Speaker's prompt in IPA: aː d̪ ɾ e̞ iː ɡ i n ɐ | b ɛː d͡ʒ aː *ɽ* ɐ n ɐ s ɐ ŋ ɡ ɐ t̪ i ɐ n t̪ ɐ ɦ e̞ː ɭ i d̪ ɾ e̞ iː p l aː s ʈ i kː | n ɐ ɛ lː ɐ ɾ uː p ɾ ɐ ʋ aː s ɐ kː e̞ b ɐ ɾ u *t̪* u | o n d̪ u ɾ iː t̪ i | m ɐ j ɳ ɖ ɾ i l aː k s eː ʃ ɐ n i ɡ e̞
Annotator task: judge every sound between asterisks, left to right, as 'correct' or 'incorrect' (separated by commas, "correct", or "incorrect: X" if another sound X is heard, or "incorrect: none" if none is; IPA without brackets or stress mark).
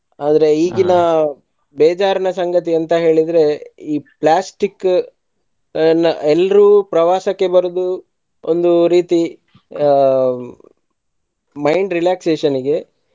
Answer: incorrect: ɾ, incorrect: d̪